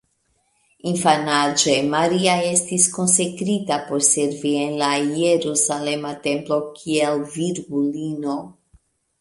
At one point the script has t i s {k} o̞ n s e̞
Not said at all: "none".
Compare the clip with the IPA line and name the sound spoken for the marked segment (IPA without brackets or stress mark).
k